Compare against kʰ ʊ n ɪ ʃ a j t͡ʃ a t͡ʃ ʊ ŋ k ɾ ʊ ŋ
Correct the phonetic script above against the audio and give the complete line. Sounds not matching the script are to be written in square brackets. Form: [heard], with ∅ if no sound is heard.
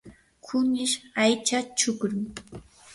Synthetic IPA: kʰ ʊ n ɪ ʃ a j t͡ʃ a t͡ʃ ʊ [∅] k ɾ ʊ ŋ